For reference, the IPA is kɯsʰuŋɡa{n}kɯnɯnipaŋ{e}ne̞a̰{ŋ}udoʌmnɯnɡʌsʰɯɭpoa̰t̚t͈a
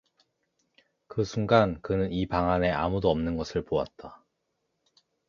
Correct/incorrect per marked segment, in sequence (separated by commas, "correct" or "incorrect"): correct, incorrect, incorrect